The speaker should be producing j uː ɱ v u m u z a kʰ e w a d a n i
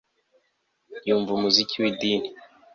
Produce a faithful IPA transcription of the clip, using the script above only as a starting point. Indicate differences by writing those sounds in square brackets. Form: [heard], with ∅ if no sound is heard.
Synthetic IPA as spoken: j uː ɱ v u m u z [i] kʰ [i] w [i] d [i] n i